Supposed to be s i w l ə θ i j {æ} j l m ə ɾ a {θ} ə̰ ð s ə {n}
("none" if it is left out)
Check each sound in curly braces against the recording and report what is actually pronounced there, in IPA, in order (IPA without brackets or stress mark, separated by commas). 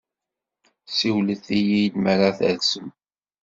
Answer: i, θ, m